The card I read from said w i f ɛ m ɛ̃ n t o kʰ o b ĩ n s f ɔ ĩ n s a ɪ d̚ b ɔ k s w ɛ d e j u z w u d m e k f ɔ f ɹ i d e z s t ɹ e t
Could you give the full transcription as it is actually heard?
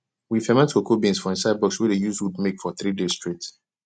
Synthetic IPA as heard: w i f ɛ m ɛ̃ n t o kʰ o b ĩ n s f ɔ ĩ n s a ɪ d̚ b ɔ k s w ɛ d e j u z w u d m e k f ɔ θ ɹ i d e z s t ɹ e t